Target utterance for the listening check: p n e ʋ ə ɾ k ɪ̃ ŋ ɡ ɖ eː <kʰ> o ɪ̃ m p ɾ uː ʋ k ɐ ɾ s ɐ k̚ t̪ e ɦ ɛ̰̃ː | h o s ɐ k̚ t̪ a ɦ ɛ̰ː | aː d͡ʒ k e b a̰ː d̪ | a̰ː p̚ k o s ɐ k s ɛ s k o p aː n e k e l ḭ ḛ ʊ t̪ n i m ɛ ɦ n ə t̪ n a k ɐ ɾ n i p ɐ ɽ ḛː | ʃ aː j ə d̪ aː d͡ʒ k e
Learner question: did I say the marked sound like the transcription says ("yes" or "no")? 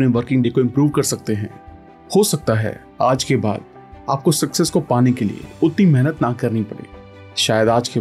no